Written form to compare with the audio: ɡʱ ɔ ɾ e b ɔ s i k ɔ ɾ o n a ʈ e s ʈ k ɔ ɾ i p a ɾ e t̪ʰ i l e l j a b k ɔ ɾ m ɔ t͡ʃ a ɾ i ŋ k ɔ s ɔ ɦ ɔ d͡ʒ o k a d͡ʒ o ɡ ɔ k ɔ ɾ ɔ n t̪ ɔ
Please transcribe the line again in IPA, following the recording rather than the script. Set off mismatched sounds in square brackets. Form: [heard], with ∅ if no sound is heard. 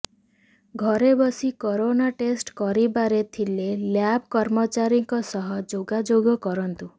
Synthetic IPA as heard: ɡʱ ɔ ɾ e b ɔ s i k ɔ ɾ o n a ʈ e s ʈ k ɔ ɾ i [b] a ɾ e t̪ʰ i l e l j a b k ɔ ɾ m ɔ t͡ʃ a ɾ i ŋ k ɔ s ɔ ɦ ɔ d͡ʒ o [ɡ] a d͡ʒ o ɡ ɔ k ɔ ɾ ɔ n t̪ [u]